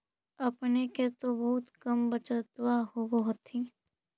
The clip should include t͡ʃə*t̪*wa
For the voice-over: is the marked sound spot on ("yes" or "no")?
yes